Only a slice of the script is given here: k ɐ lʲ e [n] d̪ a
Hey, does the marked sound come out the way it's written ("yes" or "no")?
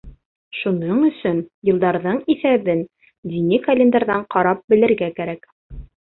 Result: yes